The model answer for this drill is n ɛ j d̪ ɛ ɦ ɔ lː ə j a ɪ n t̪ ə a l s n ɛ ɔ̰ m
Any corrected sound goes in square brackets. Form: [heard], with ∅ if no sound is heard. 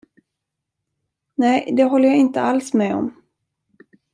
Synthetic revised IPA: n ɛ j d̪ ɛ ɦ ɔ lː ə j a ɪ n t̪ ə a l s [m] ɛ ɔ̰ m